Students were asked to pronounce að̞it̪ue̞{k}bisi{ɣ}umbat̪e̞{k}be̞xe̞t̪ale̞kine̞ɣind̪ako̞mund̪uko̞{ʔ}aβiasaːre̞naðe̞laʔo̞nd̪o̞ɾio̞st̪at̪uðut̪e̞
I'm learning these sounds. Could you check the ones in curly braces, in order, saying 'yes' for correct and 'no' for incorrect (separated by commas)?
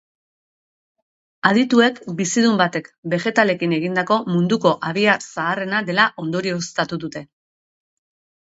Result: yes, no, yes, yes